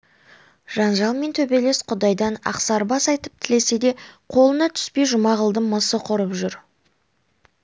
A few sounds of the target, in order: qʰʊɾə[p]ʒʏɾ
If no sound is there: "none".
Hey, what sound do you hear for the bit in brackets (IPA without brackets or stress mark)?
p